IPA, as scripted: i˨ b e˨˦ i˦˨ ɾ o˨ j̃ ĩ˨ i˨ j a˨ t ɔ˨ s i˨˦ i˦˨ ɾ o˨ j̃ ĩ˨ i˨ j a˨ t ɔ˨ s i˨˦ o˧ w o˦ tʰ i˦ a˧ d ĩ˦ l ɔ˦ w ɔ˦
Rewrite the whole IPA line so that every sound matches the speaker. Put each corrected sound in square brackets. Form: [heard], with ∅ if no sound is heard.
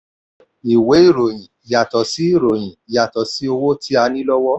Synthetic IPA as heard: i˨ [w] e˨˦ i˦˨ ɾ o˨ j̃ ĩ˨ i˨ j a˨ t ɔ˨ s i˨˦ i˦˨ ɾ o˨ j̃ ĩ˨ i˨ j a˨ t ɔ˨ s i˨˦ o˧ w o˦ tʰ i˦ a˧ [n] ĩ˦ l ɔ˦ w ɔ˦